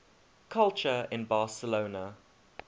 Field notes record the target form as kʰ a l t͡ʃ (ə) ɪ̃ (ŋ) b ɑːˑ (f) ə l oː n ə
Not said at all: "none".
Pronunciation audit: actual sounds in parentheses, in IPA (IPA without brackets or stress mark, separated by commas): ə, n, s